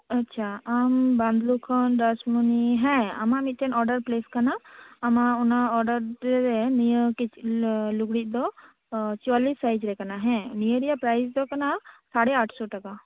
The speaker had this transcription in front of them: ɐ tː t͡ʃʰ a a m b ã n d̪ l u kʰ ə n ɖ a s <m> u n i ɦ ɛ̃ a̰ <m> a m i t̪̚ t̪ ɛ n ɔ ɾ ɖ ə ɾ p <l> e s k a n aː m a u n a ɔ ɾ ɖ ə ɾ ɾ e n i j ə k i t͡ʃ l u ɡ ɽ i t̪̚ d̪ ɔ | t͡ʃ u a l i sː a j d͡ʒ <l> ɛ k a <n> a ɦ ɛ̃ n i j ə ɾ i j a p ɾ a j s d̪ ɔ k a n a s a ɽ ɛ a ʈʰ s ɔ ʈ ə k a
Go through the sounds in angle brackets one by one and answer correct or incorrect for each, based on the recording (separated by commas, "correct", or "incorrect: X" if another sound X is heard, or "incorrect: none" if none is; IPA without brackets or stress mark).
correct, correct, correct, incorrect: ɾ, correct